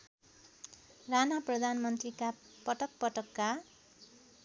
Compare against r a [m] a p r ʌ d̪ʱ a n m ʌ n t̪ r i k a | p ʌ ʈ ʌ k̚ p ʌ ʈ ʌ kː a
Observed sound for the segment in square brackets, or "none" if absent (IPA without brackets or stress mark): n